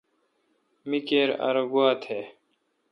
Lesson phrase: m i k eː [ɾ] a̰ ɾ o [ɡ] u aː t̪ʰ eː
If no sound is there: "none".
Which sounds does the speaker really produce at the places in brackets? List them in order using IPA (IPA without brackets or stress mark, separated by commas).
ɾ, ɡ